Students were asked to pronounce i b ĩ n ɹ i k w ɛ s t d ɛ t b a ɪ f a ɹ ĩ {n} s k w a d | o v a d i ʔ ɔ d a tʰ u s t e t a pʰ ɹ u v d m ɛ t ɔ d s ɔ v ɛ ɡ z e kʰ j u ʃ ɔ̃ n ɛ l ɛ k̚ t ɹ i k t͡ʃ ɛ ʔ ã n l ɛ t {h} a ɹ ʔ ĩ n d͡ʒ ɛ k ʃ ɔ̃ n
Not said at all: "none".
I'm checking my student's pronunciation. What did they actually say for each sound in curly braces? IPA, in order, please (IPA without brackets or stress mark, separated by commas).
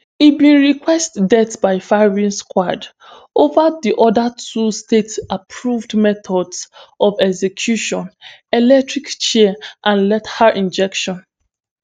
n, h